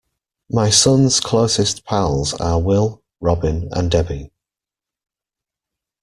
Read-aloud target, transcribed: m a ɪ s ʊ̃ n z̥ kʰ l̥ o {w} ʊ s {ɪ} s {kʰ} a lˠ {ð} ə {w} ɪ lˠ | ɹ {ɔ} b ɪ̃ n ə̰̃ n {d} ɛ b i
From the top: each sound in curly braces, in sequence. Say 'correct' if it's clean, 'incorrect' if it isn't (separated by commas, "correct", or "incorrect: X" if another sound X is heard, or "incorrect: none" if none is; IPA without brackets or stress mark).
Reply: incorrect: none, correct, incorrect: pʰ, incorrect: z, correct, incorrect: ɒ, correct